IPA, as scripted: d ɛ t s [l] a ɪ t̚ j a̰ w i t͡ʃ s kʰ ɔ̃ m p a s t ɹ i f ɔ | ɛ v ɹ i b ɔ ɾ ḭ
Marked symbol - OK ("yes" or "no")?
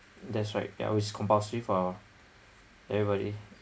no